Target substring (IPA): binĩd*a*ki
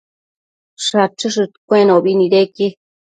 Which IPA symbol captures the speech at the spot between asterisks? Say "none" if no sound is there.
e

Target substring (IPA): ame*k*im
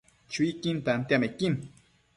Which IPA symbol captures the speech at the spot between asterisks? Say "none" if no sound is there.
k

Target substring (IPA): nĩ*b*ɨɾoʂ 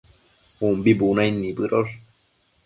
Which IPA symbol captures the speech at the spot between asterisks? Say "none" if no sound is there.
b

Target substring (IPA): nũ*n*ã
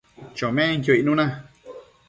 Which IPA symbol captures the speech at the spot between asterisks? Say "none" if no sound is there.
n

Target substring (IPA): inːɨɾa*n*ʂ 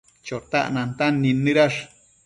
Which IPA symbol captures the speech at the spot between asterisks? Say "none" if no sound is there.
none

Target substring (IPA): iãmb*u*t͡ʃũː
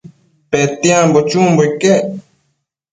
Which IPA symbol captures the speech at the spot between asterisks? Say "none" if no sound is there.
o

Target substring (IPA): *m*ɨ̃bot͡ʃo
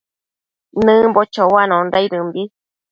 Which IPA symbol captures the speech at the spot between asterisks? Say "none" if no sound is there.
n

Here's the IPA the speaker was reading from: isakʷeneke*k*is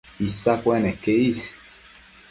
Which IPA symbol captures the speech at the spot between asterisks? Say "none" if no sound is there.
none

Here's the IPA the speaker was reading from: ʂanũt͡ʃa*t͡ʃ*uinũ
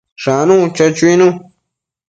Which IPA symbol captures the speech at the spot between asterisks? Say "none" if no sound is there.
t͡ʃ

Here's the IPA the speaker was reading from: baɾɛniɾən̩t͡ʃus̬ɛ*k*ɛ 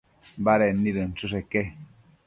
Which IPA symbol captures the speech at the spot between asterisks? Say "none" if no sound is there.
k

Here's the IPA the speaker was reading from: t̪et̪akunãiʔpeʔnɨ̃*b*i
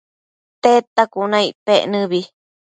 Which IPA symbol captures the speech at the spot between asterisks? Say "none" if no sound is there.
β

